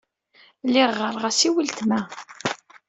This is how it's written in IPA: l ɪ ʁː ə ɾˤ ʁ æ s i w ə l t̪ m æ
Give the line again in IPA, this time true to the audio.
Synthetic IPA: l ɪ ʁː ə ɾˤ ʁ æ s i w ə l t̪ m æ